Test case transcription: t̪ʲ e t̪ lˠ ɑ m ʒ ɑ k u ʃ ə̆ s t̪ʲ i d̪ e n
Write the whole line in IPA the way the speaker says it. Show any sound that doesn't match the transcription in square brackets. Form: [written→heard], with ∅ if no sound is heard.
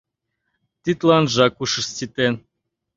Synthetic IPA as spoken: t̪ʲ [e→i] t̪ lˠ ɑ [m→n] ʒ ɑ k u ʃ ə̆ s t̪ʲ i [d̪→t̪] e n